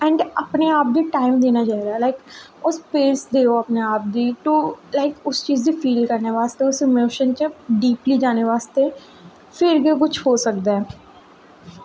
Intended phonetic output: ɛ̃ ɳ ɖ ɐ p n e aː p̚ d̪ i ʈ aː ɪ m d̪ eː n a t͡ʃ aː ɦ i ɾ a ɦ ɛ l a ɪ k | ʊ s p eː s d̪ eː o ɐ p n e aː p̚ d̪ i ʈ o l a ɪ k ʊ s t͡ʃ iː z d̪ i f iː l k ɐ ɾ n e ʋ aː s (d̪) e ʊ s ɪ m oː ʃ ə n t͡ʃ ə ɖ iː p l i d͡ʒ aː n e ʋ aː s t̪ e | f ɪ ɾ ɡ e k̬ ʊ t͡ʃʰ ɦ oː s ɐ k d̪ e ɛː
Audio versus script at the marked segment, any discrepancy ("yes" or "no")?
yes